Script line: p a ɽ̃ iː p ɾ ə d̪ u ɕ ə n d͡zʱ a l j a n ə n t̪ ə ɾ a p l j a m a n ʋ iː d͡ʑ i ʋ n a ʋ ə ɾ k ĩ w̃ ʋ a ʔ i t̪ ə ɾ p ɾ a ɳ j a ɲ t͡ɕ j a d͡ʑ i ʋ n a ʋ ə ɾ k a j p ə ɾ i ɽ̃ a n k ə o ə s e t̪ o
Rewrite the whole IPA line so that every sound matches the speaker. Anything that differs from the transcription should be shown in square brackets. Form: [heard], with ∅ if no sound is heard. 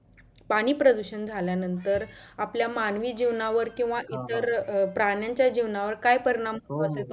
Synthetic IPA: p a ɽ̃ iː p ɾ ə d̪ u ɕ ə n d͡zʱ a l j a n ə n t̪ ə ɾ a p l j a m a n ʋ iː d͡ʑ i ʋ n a ʋ ə ɾ k ĩ w̃ ʋ a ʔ i t̪ ə ɾ p ɾ a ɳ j a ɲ t͡ɕ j a d͡ʑ i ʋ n a ʋ ə ɾ k a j p ə ɾ i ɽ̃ a [m] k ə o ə s e t̪ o